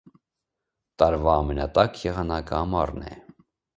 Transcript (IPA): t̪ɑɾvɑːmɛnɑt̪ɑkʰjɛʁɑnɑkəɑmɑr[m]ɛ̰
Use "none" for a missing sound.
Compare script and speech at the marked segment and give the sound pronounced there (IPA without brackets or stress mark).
n